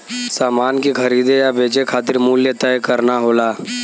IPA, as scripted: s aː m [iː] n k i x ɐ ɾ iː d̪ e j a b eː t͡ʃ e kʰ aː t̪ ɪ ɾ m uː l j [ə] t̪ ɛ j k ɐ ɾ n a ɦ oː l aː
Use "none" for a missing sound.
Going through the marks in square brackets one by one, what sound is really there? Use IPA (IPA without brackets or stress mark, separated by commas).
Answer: aː, ə